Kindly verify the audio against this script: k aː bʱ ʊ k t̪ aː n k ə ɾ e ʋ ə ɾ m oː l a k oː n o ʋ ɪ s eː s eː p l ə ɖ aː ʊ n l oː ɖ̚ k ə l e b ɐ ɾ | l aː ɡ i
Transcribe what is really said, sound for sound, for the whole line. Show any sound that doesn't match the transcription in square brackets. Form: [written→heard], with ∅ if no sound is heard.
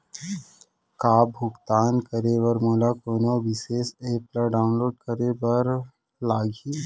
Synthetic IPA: k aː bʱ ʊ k t̪ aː n k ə ɾ e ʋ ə ɾ m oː l a k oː n o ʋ ɪ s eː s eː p l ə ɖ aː ʊ n l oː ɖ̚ k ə [l→ɾ] e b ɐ ɾ | l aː ɡ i